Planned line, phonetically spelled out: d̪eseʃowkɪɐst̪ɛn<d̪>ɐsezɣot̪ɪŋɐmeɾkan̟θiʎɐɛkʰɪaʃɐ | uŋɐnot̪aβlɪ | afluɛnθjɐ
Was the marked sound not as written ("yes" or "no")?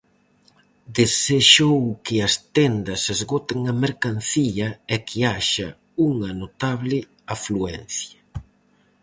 no